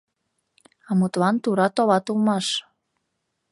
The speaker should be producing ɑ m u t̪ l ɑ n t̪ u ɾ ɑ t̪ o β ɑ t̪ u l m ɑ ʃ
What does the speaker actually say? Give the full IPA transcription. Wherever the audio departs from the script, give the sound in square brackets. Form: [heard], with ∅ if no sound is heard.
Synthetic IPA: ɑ m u t̪ l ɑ n t̪ u ɾ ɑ t̪ o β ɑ t̪ u l m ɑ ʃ